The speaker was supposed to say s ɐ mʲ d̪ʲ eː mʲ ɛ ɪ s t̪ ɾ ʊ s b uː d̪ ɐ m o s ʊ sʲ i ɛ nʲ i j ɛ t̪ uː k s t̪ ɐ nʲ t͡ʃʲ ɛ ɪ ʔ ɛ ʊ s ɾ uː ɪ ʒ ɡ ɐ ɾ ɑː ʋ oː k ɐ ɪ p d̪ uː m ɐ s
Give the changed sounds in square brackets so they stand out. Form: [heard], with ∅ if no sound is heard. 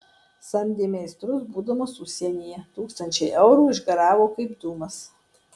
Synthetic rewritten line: s ɐ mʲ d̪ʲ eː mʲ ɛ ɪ s t̪ ɾ ʊ s b uː d̪ ɐ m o s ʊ sʲ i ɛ nʲ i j ɛ t̪ uː k s t̪ ɐ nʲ t͡ʃʲ ɛ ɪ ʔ ɛ ʊ [∅] ɾ uː ɪ ʒ ɡ ɐ ɾ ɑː ʋ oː k ɐ ɪ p d̪ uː m ɐ s